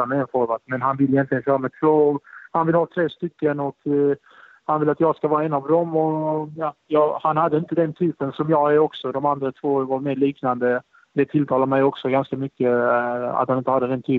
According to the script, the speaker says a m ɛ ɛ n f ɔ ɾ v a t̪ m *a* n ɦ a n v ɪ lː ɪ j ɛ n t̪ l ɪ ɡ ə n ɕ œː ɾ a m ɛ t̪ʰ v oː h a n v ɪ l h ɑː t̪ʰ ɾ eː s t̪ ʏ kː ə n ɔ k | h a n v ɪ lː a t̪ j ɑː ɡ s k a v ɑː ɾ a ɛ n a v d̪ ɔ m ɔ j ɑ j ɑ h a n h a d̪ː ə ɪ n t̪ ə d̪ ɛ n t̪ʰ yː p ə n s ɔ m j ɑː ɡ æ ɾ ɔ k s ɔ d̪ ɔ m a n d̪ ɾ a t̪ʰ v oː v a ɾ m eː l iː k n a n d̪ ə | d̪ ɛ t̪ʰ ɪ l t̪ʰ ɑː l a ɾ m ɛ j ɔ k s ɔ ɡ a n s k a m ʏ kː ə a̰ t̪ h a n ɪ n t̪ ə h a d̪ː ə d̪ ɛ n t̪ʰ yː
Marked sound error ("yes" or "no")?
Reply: yes